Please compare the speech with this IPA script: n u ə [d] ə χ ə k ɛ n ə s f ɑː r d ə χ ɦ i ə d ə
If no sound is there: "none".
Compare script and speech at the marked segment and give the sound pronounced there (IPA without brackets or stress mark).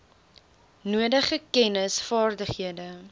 d